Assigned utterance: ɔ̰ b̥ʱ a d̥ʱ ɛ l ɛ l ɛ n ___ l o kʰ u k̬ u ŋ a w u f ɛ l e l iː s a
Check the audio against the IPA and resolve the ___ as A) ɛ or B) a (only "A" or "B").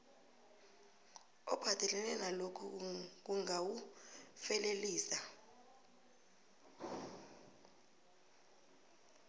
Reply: B